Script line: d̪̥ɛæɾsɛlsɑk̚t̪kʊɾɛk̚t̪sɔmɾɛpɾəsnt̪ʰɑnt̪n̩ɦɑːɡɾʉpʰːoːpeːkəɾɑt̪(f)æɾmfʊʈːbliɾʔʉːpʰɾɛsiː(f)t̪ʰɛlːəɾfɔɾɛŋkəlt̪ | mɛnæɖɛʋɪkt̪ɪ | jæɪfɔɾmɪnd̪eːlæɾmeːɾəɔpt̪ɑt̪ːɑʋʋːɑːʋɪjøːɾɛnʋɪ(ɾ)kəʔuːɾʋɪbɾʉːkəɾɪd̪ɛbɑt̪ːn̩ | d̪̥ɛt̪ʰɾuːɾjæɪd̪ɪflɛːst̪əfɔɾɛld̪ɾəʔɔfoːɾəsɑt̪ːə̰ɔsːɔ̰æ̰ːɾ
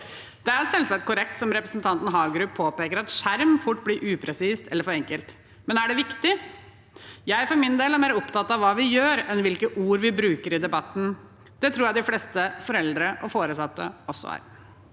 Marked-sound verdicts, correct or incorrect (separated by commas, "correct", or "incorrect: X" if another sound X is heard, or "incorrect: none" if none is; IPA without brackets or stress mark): incorrect: ʂ, incorrect: s, incorrect: l